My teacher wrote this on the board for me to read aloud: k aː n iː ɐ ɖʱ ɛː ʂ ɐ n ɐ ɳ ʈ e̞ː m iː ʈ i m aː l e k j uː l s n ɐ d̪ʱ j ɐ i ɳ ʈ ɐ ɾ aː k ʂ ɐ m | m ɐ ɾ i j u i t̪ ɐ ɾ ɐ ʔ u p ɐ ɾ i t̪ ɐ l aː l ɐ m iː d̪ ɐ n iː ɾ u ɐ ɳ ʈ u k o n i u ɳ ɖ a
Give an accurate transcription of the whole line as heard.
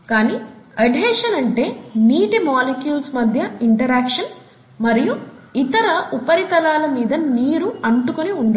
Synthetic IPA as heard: k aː n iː ɐ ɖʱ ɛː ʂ ɐ n ɐ ɳ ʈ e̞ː n iː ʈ i m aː l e k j uː l s m ɐ d̪ʱ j ɐ i ɳ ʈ ɐ ɾ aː k ʂ ɐ n | m ɐ ɾ i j u i t̪ ɐ ɾ ɐ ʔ u p ɐ ɾ i t̪ ɐ l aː l ɐ m iː d̪ ɐ n iː ɾ u ɐ ɳ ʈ u k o n i u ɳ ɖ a